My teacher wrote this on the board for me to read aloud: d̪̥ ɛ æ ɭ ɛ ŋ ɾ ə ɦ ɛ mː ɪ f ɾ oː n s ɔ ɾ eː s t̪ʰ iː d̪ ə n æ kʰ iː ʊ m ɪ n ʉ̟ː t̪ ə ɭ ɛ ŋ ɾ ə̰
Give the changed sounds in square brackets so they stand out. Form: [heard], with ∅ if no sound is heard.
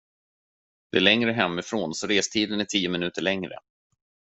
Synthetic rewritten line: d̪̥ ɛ æ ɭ ɛ ŋ ɾ ə ɦ ɛ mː ɪ f ɾ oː n s ɔ ɾ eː s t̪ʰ iː d̪ ə n æ [ʈʰ] iː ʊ m ɪ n ʉ̟ː t̪ ə ɭ ɛ ŋ ɾ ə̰